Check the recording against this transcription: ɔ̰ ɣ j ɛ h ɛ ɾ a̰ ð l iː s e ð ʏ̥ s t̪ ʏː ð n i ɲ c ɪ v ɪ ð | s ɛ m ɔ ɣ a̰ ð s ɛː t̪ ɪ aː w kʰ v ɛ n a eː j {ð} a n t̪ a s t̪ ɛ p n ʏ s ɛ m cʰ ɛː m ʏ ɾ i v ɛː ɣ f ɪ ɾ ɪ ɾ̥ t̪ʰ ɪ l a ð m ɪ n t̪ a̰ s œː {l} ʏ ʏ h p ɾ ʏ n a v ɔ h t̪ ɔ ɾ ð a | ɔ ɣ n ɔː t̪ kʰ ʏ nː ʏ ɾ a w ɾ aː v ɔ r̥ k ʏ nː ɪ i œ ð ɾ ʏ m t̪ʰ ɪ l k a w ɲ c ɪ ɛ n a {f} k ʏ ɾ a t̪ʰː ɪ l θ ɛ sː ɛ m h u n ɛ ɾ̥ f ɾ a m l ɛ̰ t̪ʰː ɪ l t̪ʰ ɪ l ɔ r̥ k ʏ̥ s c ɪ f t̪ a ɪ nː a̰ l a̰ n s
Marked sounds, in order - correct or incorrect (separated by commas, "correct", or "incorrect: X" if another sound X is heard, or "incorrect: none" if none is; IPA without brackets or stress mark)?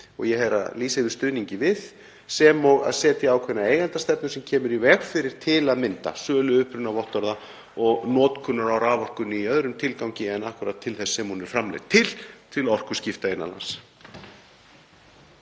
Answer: incorrect: ɣ, correct, incorrect: h